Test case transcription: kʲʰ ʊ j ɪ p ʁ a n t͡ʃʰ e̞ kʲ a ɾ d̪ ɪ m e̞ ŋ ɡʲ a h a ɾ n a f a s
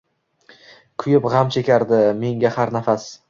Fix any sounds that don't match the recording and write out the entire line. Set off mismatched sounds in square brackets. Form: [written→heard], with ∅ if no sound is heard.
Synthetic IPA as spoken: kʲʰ ʊ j ɪ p ʁ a [n→m] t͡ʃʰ e̞ kʲ a ɾ d̪ ɪ m e̞ ŋ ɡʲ a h a ɾ n a f a s